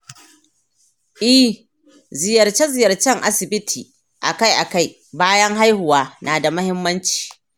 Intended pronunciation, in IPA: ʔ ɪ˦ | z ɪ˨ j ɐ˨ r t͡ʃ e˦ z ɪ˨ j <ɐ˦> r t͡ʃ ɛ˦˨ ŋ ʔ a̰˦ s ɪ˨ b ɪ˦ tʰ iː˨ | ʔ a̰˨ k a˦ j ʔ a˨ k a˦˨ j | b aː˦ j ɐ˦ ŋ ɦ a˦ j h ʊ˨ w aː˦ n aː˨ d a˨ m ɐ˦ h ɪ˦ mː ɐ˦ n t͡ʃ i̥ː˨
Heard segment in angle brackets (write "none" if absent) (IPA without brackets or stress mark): ɐ˨